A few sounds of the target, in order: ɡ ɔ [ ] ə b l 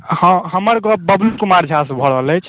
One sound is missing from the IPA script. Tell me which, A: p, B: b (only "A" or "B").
B